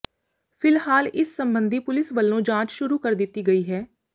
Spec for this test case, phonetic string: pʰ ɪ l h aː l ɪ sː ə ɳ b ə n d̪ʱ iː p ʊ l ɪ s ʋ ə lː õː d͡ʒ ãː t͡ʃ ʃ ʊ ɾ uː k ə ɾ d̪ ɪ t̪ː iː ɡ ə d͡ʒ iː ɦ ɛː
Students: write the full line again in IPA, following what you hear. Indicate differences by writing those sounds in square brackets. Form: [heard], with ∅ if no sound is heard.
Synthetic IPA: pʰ ɪ l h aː l ɪ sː ə [m] b ə n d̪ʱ iː p ʊ l ɪ s ʋ ə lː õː d͡ʒ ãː t͡ʃ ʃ ʊ ɾ uː k ə ɾ d̪ ɪ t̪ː iː ɡ ə [∅] iː ɦ ɛː